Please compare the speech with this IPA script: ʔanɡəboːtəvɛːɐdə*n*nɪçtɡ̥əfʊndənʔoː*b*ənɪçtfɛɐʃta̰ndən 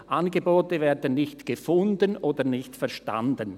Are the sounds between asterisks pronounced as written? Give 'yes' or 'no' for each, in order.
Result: yes, no

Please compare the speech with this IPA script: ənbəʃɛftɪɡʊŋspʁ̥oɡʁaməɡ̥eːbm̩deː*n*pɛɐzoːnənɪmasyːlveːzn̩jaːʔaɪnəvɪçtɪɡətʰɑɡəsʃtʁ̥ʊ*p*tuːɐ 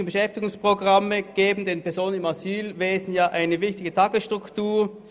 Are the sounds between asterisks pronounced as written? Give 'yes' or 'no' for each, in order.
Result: yes, no

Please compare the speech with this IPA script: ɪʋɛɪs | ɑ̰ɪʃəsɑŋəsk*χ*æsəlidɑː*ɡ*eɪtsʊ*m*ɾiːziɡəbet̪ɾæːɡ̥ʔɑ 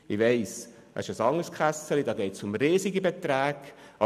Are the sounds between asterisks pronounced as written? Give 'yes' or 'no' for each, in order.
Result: yes, yes, yes

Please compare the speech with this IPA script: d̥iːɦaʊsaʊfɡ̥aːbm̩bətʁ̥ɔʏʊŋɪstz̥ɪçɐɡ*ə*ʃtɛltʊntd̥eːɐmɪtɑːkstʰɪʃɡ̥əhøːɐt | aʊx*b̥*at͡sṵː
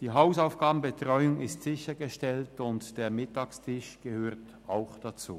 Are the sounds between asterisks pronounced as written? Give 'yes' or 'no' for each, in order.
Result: yes, no

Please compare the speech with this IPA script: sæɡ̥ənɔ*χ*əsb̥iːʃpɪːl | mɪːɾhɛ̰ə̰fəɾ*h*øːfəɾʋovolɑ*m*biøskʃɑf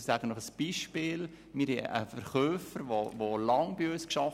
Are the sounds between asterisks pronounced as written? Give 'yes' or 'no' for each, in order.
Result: yes, no, no

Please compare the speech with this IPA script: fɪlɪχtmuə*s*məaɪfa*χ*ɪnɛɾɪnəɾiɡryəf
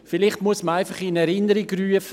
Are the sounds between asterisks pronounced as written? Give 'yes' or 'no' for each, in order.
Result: yes, yes

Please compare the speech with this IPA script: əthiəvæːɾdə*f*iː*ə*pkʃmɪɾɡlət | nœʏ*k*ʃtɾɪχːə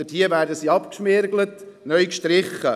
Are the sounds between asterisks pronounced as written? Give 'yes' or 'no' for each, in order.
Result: no, no, yes

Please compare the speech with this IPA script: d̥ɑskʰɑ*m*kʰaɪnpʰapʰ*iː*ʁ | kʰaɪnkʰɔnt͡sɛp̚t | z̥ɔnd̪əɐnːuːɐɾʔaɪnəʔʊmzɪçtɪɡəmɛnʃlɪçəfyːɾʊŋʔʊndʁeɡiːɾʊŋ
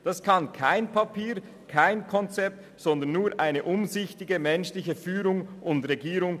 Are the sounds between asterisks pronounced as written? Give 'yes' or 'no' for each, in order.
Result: no, yes

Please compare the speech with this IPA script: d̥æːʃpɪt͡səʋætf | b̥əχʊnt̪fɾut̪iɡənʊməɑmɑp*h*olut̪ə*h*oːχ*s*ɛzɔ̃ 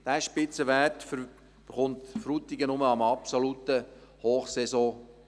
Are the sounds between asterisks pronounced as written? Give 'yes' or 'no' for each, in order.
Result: no, yes, yes

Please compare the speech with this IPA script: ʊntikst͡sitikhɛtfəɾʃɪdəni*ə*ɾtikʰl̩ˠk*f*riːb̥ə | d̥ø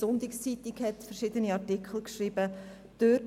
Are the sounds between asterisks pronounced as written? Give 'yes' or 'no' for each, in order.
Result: no, no

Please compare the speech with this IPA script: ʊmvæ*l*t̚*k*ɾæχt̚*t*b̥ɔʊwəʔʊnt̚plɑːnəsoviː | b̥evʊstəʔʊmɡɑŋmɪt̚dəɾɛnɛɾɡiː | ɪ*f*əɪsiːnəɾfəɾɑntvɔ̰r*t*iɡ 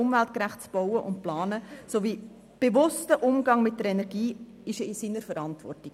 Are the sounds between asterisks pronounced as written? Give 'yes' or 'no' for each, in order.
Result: yes, yes, no, no, yes

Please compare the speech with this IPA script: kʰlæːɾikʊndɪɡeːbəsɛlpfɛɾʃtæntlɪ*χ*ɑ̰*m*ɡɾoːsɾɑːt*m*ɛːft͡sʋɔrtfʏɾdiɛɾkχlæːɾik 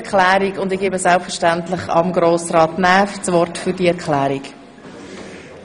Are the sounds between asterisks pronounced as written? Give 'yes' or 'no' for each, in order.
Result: yes, yes, no

